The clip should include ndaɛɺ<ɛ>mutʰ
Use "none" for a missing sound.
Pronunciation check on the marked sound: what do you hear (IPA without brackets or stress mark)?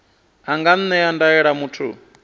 a